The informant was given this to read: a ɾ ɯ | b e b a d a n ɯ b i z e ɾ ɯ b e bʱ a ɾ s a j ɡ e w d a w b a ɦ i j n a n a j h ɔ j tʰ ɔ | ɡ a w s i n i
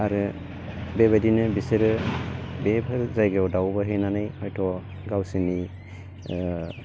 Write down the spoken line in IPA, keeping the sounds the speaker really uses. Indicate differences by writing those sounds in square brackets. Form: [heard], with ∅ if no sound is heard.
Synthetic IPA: a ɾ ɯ | b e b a d [i] n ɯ b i [s] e ɾ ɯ b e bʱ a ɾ [z] a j ɡ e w d a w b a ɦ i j n a n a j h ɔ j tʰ ɔ | ɡ a w s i n i